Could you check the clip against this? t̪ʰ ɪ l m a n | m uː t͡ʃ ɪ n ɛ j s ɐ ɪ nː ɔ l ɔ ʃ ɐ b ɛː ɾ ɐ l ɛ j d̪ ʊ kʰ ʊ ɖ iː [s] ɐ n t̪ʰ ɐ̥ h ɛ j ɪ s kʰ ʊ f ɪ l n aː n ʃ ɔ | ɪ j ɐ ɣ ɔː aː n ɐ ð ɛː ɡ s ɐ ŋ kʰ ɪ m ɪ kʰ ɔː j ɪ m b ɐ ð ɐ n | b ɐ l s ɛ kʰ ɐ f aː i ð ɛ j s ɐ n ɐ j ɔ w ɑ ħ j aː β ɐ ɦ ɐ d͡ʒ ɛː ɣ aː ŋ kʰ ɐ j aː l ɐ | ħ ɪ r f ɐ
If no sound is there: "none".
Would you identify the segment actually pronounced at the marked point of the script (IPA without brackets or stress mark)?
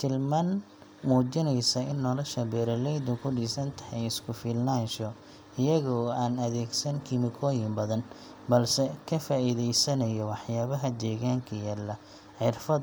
s